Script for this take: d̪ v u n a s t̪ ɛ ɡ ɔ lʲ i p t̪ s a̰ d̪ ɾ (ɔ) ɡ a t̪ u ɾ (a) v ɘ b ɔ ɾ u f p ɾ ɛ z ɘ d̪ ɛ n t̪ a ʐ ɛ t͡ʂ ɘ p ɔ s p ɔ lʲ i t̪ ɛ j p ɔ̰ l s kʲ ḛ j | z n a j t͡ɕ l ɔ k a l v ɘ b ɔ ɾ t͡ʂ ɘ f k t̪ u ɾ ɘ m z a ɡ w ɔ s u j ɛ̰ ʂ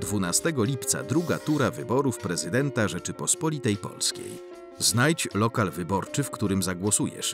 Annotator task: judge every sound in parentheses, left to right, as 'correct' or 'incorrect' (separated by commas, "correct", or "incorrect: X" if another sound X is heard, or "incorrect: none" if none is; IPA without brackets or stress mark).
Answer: incorrect: u, correct